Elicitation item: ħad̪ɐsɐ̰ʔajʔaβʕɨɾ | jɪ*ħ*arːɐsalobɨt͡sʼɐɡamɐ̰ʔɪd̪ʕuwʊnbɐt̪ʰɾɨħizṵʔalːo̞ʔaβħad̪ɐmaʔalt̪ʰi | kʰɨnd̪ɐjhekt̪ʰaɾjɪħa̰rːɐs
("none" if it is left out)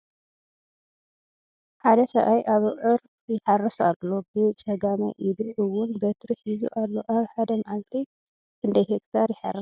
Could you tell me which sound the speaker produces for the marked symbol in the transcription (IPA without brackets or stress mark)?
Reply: ħ